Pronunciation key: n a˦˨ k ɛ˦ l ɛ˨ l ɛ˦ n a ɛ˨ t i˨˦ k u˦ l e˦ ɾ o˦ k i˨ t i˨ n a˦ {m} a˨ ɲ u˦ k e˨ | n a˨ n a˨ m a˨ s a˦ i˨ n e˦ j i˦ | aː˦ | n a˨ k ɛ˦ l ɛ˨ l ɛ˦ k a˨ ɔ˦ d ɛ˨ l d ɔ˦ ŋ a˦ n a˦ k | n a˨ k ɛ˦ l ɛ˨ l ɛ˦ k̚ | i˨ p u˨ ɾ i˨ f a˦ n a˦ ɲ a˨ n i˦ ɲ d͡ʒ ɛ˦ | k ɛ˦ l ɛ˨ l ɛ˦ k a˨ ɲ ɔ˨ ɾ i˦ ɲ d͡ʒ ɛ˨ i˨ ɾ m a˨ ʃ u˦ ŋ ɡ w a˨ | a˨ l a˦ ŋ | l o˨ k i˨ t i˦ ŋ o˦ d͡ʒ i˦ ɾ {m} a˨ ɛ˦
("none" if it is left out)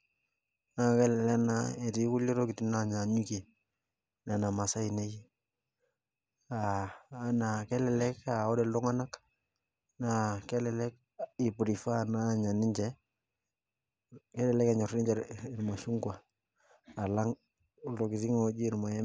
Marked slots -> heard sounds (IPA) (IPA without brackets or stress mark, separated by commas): ɲ, m